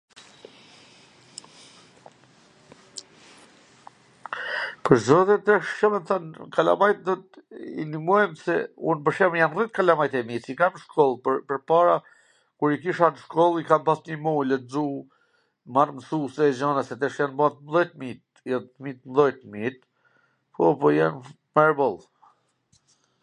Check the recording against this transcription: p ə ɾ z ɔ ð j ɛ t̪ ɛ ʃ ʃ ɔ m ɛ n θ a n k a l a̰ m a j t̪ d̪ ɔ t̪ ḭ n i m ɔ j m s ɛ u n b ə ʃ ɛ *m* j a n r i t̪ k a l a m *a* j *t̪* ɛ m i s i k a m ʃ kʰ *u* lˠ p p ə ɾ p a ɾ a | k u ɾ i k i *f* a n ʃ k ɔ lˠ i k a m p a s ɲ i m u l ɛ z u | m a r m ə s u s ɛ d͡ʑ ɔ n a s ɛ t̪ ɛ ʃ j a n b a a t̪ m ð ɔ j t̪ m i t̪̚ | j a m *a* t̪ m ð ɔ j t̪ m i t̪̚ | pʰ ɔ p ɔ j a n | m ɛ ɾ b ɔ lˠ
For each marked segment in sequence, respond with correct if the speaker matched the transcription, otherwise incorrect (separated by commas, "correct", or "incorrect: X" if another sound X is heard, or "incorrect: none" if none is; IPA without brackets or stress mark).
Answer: correct, correct, correct, incorrect: ɔ, incorrect: ʃ, incorrect: i